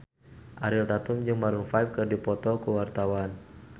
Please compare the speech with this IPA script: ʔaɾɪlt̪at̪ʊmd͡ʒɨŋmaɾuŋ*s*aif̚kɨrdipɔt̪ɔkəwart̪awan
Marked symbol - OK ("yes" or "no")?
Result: no